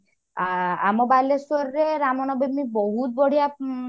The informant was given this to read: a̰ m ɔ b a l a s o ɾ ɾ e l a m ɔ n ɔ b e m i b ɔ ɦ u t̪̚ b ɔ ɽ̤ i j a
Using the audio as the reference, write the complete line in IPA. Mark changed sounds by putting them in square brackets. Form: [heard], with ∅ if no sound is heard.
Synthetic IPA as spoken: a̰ m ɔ b a l [e] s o ɾ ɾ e [ɾ] a m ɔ n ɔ b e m i b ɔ ɦ u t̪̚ b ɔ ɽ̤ i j a

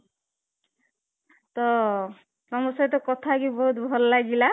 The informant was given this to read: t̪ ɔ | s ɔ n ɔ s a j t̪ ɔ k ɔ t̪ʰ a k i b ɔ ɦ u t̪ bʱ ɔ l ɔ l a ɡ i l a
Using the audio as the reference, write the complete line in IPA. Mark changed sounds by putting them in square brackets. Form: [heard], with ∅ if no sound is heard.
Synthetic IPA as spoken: t̪ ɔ | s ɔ [m] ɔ s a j t̪ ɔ k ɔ t̪ʰ a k i b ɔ ɦ u t̪ bʱ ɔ l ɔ l a ɡ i l a

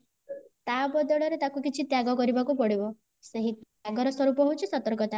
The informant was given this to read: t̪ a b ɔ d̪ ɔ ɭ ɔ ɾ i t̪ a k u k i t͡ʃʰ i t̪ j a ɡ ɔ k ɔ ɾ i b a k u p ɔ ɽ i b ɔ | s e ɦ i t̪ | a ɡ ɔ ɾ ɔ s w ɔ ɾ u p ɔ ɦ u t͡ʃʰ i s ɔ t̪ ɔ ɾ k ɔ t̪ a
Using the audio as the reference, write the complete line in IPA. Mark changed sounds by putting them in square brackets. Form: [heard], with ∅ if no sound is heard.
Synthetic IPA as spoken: t̪ a b ɔ d̪ ɔ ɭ ɔ ɾ [e] t̪ a k u k i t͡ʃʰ i t̪ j a ɡ ɔ k ɔ ɾ i b a k u p ɔ ɽ i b ɔ | s e ɦ i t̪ | a ɡ ɔ ɾ ɔ s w ɔ ɾ u p ɔ ɦ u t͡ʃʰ i s ɔ t̪ ɔ ɾ k ɔ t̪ a

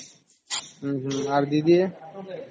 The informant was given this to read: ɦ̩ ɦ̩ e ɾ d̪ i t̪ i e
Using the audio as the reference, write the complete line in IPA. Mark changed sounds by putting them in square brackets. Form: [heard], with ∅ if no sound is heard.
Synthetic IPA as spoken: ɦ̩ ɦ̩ [a] ɾ d̪ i [d̪] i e

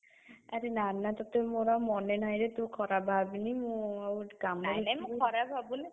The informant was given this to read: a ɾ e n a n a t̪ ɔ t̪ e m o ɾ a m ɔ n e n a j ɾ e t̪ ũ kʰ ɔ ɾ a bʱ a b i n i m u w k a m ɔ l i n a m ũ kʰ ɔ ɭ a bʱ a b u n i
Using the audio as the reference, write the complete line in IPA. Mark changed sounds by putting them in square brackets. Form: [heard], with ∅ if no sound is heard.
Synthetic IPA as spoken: a ɾ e n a n a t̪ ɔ t̪ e m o ɾ a m ɔ n e n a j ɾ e t̪ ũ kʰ ɔ ɾ a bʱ a b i n i m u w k a m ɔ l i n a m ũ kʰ ɔ [ɾ] a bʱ a b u n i

